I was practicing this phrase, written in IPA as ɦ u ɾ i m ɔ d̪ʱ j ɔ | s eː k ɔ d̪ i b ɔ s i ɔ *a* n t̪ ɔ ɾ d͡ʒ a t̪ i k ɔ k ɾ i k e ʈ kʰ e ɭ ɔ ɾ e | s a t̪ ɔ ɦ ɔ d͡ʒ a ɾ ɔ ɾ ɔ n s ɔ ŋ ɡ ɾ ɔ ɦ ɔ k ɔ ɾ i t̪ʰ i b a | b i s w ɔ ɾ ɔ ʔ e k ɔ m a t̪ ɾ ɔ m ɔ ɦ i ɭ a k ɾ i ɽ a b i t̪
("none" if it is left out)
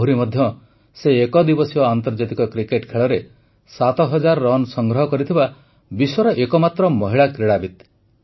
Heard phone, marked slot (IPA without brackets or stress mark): a